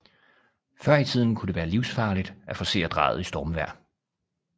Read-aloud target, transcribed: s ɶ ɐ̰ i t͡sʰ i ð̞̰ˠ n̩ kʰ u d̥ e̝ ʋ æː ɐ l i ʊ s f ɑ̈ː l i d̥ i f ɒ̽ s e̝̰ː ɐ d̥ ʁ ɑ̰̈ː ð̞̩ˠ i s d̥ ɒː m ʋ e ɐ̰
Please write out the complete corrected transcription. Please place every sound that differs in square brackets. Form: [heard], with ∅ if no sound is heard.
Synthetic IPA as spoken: [f] ɶ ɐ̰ i t͡sʰ i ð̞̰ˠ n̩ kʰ u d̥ e̝ ʋ æː ɐ l i ʊ s f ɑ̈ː l i d̥ [æ] f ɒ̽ s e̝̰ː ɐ d̥ ʁ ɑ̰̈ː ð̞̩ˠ i s d̥ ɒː m ʋ [æ] ɐ̰

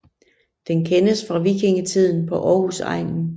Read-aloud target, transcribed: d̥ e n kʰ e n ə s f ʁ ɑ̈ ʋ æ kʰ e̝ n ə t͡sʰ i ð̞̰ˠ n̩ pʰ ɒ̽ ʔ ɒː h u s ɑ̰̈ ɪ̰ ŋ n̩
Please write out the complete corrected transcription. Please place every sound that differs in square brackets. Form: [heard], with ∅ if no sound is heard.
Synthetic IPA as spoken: d̥ e n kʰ e n ə s f ʁ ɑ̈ ʋ [i] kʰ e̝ [ŋ] ə t͡sʰ i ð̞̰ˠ n̩ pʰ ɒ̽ ʔ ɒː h u s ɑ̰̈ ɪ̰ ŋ n̩

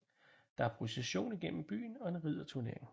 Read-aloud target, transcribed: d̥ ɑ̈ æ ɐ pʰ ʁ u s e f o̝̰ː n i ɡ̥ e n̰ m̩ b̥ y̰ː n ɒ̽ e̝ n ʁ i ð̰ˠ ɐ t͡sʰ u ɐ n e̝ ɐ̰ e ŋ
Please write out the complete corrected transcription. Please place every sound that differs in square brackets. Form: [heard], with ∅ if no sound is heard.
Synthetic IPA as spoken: d̥ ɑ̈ æ ɐ pʰ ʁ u s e [ɕ] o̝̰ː n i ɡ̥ e n̰ m̩ b̥ y̰ː n ɒ̽ e̝ n ʁ i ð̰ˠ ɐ t͡sʰ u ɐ n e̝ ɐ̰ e ŋ

